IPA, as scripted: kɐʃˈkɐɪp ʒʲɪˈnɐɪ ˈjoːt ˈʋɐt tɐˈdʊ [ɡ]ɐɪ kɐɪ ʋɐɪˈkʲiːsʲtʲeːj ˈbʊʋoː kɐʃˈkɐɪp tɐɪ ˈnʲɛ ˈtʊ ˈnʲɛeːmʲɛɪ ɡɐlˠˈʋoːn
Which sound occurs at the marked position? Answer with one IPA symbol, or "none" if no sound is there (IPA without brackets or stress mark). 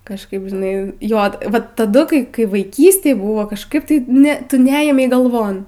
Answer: k